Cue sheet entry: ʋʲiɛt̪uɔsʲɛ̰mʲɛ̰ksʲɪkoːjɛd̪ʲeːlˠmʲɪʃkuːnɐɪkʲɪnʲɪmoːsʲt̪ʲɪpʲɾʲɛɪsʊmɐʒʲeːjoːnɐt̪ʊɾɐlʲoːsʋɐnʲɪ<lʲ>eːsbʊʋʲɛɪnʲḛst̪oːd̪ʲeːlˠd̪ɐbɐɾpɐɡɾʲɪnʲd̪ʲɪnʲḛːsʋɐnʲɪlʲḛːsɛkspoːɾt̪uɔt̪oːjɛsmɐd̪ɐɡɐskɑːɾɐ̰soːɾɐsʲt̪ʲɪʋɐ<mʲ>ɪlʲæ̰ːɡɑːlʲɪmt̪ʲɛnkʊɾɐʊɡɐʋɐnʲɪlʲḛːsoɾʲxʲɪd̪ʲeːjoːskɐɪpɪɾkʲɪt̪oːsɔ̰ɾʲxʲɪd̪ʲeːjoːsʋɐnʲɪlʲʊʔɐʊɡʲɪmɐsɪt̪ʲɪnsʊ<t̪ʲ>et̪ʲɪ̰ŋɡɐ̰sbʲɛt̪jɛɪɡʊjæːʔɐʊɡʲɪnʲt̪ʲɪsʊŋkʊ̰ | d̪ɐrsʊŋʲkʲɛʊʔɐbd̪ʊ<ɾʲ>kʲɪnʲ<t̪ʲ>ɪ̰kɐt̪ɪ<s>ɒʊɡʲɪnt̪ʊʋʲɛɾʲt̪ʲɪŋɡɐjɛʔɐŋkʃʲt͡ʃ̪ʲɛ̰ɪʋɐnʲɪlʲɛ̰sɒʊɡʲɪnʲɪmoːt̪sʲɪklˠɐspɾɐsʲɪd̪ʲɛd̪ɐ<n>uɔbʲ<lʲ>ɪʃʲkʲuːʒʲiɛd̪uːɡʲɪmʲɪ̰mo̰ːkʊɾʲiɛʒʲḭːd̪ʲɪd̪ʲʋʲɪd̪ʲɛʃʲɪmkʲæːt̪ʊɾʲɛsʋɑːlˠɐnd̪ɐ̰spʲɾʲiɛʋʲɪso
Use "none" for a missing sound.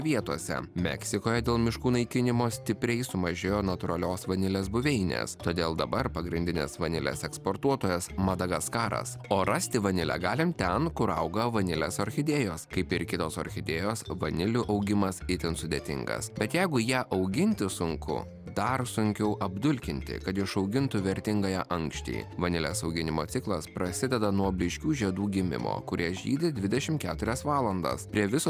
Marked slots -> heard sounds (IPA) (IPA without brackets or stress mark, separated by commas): lʲ, nʲ, d̪ʲ, lʲ, t̪ʲ, ʃ, n, lʲ